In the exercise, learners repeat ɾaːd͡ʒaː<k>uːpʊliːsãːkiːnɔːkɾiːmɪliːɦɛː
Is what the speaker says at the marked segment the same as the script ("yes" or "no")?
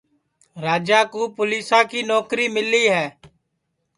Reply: yes